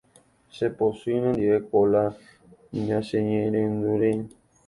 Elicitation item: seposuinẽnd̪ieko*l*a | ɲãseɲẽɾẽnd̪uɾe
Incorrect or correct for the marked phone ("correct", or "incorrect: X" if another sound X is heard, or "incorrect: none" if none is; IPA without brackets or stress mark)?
correct